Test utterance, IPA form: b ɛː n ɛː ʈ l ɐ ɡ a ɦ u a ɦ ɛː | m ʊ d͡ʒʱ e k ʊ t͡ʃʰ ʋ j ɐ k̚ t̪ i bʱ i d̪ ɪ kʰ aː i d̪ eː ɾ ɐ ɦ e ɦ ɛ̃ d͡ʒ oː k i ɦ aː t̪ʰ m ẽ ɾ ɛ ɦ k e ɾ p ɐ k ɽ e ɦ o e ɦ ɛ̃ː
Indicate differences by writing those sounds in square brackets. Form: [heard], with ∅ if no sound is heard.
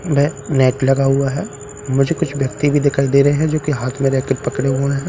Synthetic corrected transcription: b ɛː n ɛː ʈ l ɐ ɡ a ɦ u a ɦ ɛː | m ʊ d͡ʒʱ e k ʊ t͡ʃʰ ʋ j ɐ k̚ t̪ i bʱ i d̪ ɪ kʰ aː i d̪ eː ɾ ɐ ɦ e ɦ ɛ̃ d͡ʒ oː k i ɦ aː t̪ʰ m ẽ ɾ ɛ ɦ k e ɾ p ɐ k ɽ e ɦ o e ɦ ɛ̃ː